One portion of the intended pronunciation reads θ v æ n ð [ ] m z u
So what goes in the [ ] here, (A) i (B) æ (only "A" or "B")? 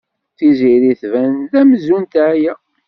B